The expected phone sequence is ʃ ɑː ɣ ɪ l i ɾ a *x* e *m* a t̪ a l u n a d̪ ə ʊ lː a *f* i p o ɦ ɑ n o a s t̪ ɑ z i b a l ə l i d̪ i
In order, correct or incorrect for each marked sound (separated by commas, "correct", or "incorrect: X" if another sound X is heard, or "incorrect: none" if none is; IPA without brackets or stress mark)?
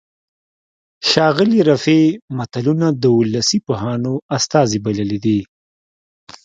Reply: incorrect: f, correct, incorrect: s